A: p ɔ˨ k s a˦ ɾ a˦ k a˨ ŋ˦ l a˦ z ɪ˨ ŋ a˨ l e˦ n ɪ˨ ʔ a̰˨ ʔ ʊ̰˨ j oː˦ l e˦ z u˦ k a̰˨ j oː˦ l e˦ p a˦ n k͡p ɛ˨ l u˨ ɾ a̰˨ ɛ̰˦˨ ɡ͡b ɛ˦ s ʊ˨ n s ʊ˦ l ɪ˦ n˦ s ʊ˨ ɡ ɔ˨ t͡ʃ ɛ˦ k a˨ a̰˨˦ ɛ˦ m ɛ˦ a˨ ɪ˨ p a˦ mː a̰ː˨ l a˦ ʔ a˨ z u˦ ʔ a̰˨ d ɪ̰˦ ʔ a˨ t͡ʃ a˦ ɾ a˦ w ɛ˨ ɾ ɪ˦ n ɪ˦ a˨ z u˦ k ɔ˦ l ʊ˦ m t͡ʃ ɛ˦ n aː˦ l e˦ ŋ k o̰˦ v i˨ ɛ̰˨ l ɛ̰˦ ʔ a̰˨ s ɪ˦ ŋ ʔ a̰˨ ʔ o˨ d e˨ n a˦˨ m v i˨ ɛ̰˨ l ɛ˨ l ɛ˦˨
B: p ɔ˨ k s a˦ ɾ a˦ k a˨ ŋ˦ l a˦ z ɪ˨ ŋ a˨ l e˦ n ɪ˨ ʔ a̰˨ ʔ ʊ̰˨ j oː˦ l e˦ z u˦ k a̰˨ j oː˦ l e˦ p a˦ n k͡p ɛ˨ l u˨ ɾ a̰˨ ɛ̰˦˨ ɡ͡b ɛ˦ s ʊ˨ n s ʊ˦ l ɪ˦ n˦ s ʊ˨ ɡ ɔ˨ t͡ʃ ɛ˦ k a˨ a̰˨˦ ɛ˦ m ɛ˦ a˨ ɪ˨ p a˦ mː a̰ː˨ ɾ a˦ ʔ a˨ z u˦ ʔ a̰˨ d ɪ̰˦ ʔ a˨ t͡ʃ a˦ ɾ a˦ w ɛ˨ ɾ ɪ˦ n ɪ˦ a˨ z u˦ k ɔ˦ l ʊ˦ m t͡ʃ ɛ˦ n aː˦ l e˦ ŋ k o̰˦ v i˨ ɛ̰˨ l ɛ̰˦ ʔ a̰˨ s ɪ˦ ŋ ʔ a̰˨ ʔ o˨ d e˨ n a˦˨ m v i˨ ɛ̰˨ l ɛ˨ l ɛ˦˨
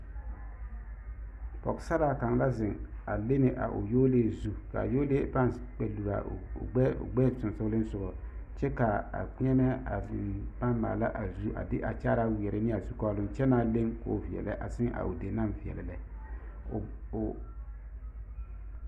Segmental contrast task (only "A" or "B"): A